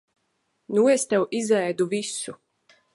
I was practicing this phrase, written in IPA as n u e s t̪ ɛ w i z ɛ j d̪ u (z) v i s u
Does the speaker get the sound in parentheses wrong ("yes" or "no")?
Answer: yes